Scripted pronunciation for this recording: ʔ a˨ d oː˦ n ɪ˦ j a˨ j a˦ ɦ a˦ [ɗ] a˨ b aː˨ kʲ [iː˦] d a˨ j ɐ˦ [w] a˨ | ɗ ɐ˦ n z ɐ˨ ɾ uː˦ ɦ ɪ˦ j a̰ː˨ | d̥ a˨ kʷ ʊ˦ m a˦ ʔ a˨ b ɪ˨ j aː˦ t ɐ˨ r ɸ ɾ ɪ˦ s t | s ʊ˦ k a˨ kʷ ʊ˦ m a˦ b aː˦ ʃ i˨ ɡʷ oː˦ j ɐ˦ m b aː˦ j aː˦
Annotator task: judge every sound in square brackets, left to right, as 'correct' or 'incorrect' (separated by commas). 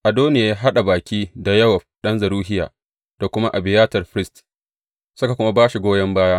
correct, correct, correct